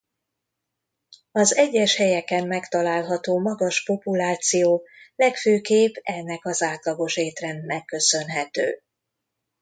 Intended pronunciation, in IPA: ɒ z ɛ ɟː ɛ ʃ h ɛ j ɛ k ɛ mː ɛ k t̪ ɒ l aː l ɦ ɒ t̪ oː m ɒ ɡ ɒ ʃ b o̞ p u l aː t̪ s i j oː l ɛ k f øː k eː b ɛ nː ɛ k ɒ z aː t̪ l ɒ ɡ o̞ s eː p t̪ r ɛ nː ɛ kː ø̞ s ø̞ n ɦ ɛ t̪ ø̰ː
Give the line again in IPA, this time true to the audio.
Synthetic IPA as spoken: ɒ z ɛ ɟː ɛ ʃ h ɛ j ɛ k ɛ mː ɛ k t̪ ɒ l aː l ɦ ɒ t̪ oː m ɒ ɡ ɒ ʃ p o̞ p u l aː t̪ s i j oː l ɛ k f øː k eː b ɛ nː ɛ k ɒ z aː t̪ l ɒ ɡ o̞ ʃ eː t̪ r ɛ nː ɛ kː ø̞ s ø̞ n ɦ ɛ t̪ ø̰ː